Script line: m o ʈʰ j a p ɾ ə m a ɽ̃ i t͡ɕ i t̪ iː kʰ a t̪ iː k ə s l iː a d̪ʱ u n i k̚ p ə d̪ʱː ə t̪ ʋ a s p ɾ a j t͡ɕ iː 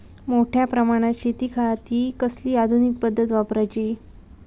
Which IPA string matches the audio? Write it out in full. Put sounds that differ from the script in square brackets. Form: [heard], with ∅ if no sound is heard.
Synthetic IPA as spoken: m o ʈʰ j a p ɾ ə m a ɽ̃ [a] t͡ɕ i t̪ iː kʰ a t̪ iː k ə s l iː a d̪ʱ u n i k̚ p ə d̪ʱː ə t̪ ʋ a [∅] p ɾ a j t͡ɕ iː

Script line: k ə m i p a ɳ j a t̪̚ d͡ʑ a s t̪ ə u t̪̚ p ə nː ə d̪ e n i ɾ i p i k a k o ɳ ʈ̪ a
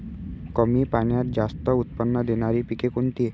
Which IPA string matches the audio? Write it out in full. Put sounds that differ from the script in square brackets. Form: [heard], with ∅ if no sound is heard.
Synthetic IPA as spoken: k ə m i p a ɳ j a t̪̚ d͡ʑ a s t̪ ə u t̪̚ p ə nː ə d̪ e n [a] ɾ i p i k [e] k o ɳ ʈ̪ [i]

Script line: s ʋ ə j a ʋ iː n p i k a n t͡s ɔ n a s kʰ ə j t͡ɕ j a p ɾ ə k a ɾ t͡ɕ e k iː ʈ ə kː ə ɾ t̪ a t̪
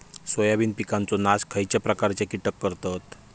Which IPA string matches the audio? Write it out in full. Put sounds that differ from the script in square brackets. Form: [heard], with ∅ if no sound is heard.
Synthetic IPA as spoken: s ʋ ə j a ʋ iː n p i k a n t͡s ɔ n a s kʰ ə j t͡ɕ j a p ɾ ə k a ɾ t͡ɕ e k [i] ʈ ə kː ə ɾ t̪ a t̪

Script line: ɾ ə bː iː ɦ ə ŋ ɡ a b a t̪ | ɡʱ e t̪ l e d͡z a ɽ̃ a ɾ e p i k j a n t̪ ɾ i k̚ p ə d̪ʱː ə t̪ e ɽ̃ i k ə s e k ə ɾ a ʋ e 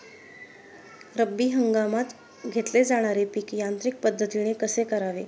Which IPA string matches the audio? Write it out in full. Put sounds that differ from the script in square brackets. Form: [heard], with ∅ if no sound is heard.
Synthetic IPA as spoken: ɾ ə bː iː ɦ ə ŋ ɡ a [m] a t̪ | ɡʱ e t̪ l e d͡z a ɽ̃ a ɾ e p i k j a n t̪ ɾ i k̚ p ə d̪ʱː ə t̪ [i] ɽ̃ [e] k ə s e k ə ɾ a ʋ e

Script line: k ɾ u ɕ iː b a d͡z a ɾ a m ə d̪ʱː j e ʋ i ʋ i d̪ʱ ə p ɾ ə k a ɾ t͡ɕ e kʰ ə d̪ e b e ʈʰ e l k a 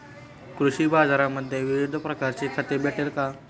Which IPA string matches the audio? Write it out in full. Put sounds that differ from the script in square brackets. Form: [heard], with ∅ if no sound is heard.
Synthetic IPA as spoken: k ɾ u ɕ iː b a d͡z a ɾ a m ə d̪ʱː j e ʋ i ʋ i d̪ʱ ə p ɾ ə k a ɾ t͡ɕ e kʰ ə [t̪] e b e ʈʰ e l k a

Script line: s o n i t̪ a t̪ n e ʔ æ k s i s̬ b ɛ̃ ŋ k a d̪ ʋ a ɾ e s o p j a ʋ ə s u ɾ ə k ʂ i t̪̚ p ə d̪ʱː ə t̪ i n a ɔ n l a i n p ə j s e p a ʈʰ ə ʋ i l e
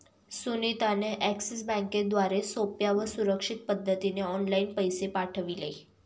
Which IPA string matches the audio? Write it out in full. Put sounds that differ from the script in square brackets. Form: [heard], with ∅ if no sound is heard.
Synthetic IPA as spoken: s [u] n i t̪ a [∅] n e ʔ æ k s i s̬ b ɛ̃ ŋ k [e] d̪ ʋ a ɾ e s o p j a ʋ ə s u ɾ ə k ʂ i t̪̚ p ə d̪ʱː ə t̪ i n [e] ɔ n l a i n p ə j s e p a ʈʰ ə ʋ i l e

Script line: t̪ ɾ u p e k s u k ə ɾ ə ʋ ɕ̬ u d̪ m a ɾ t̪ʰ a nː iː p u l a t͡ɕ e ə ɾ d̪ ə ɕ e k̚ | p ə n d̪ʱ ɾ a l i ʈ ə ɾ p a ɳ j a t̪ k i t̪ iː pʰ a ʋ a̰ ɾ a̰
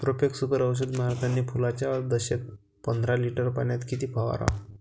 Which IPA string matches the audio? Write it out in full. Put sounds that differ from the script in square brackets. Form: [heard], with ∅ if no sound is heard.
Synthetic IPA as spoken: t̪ ɾ [o] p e k s u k ə ɾ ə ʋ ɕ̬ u d̪ m a ɾ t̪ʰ a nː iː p u l a t͡ɕ [a] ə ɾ d̪ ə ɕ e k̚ | p ə n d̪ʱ ɾ a l i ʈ ə ɾ p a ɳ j a t̪ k i t̪ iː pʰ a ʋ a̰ ɾ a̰

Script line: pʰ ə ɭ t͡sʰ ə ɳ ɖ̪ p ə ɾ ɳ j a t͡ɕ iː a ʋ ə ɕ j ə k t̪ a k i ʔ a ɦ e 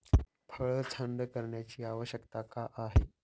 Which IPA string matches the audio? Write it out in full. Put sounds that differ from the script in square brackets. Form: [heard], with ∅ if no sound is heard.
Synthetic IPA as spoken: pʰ ə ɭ t͡sʰ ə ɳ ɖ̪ [k] ə ɾ ɳ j a t͡ɕ iː a ʋ ə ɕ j ə k t̪ a k [a] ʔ a ɦ e

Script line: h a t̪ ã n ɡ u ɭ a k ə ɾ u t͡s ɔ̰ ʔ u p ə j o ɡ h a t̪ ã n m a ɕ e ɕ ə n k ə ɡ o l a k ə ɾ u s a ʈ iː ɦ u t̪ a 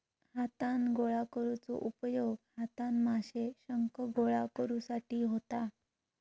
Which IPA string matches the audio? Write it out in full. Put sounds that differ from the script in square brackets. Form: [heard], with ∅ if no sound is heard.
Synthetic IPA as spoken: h a t̪ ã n ɡ [o] ɭ a k ə ɾ u t͡s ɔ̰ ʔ u p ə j o ɡ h a t̪ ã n m a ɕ e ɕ ə [ŋ] k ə ɡ o [ɭ] a k ə ɾ u s a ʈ iː ɦ [o] t̪ a

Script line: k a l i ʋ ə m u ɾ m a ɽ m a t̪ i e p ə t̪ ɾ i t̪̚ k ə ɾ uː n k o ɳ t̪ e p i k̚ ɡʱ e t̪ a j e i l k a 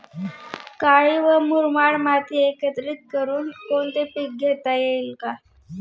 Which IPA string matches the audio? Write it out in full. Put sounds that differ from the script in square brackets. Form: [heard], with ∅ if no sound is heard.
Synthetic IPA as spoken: k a [ɭ] i ʋ ə m u ɾ m a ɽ m a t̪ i e [k] ə t̪ ɾ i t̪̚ k ə ɾ uː n k o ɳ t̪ e p i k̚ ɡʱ e t̪ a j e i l k a

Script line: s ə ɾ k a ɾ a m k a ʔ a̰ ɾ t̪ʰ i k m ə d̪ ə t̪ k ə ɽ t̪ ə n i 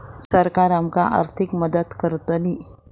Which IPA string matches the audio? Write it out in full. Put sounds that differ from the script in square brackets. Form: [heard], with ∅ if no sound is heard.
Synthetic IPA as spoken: s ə ɾ k a ɾ a m k a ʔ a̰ ɾ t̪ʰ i k m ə d̪ ə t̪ k ə [ɾ] t̪ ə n i

